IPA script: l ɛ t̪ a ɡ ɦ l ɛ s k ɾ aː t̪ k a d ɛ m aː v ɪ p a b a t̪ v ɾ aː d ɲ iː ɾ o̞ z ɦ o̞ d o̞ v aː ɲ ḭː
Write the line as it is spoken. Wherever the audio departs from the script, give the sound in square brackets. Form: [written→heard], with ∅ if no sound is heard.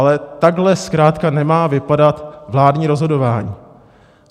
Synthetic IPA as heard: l ɛ t̪ a ɡ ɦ l ɛ s k ɾ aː t̪ k a [d→n] ɛ m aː v ɪ p a [b→d] a t̪ v [ɾ→l] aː d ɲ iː ɾ o̞ z ɦ o̞ d o̞ v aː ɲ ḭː